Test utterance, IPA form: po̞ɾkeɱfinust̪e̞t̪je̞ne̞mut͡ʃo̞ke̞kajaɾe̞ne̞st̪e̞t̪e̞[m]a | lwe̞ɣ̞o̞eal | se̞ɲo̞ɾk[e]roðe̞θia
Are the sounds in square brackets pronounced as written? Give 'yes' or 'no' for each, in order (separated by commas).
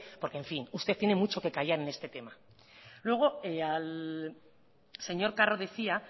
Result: yes, no